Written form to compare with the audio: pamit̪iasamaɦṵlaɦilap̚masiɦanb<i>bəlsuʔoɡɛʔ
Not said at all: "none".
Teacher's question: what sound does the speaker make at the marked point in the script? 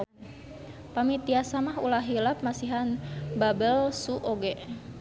a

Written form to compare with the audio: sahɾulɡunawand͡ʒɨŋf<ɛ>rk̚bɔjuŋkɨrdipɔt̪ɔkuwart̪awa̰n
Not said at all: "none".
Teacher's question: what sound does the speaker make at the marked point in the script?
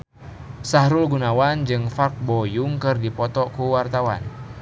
a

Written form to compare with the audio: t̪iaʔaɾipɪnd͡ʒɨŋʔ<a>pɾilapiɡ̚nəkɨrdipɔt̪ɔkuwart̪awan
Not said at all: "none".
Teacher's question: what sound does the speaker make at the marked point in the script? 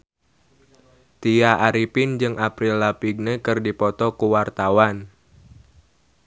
a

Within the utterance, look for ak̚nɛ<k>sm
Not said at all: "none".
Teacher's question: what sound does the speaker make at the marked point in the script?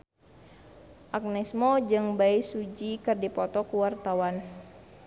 none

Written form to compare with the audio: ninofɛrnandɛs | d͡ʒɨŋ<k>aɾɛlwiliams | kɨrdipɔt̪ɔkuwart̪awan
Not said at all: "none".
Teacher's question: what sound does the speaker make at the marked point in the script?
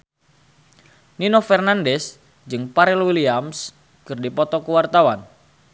p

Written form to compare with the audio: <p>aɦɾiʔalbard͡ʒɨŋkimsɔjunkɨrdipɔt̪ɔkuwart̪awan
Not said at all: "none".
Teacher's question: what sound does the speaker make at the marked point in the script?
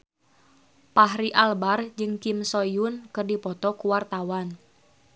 p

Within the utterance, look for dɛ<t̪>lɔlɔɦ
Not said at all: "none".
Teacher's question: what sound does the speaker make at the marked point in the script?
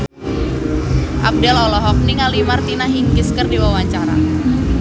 none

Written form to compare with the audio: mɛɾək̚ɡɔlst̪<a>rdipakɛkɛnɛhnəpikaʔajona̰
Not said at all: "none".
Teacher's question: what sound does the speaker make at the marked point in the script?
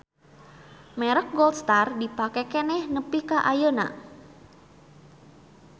a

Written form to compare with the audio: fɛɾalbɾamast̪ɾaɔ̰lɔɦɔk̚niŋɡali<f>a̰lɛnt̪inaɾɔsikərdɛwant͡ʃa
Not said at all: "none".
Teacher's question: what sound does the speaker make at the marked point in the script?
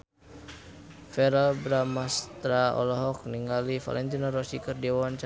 f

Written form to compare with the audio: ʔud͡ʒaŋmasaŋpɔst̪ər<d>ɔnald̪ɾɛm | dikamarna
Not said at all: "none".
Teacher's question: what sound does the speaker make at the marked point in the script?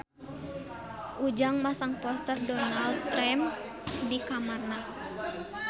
d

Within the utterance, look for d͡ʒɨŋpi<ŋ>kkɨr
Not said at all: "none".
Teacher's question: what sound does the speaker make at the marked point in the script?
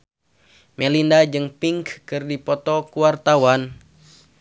ŋ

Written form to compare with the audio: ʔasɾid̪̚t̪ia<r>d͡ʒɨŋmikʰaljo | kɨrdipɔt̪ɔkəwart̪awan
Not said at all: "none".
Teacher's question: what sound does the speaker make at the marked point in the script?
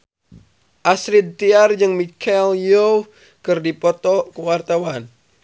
r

